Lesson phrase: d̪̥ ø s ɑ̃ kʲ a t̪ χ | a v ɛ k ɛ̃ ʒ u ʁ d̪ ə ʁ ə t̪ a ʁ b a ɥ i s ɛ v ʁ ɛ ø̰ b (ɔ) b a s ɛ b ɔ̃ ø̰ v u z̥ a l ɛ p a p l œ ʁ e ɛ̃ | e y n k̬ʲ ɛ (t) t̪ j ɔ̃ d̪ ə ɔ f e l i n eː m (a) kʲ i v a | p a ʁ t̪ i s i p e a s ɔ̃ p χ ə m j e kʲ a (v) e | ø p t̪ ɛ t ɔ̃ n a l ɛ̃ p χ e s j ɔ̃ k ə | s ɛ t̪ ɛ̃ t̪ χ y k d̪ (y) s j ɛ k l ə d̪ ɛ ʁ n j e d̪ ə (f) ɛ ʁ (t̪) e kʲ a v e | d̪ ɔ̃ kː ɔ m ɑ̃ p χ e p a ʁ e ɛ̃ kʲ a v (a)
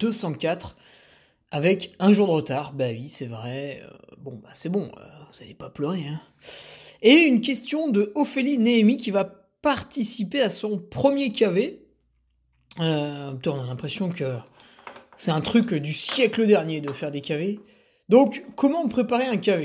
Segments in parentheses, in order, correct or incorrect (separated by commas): incorrect, incorrect, incorrect, correct, correct, correct, incorrect, incorrect